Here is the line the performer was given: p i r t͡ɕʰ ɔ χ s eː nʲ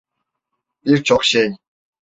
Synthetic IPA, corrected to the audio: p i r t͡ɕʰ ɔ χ ʃ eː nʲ